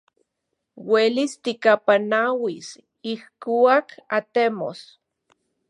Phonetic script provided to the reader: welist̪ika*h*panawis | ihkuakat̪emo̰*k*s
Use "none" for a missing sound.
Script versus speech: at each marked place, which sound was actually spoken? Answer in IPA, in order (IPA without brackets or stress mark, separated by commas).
none, none